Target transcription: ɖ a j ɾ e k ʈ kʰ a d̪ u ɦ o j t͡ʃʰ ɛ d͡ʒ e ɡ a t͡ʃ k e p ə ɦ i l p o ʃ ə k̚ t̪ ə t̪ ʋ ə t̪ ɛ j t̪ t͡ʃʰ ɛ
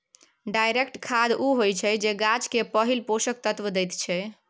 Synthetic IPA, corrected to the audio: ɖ a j ɾ e k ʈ kʰ a d̪ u ɦ o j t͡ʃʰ ɛ d͡ʒ e ɡ a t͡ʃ k e p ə ɦ i l p o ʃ ə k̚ t̪ ə t̪ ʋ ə d̪ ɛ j t̪ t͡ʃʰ ɛ